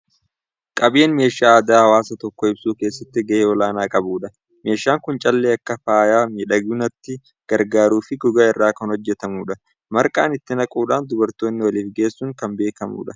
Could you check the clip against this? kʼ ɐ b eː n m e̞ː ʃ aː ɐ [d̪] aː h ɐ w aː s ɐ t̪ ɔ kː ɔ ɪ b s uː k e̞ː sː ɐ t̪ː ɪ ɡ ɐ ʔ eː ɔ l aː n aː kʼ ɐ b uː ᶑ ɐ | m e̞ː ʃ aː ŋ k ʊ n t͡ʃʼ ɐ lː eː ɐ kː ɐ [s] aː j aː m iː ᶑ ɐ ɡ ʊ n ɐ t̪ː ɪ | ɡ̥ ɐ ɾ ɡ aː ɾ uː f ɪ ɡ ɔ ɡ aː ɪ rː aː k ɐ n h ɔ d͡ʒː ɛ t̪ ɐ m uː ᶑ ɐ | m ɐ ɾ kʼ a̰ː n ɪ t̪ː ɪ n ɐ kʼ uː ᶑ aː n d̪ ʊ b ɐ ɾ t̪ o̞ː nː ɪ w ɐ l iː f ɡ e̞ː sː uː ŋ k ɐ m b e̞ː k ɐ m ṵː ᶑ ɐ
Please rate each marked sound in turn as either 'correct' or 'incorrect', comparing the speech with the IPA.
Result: correct, incorrect

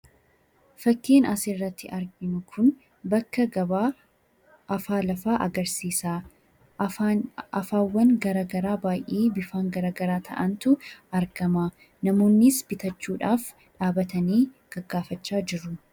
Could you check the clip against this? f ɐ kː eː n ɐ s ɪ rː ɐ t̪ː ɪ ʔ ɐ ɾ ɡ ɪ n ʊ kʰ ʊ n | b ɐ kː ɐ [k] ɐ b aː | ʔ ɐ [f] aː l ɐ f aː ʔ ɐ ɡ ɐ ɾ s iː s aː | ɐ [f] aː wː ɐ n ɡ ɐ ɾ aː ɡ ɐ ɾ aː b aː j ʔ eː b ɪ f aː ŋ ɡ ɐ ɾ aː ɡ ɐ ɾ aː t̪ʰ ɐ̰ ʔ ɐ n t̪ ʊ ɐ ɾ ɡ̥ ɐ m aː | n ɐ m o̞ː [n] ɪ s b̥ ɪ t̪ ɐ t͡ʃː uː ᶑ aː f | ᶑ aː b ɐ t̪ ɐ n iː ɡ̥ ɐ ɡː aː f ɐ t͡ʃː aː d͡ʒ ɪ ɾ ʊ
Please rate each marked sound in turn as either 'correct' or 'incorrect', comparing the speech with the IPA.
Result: incorrect, correct, correct, incorrect

